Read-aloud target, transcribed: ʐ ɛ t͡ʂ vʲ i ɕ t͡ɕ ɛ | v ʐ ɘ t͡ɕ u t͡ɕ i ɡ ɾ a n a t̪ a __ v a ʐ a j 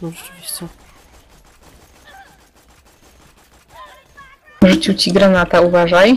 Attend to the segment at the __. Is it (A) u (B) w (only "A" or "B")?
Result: A